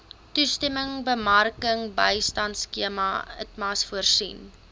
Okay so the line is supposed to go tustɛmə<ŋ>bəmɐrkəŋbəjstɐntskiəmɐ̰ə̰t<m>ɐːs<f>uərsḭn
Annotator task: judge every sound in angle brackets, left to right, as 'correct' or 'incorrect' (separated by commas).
correct, correct, correct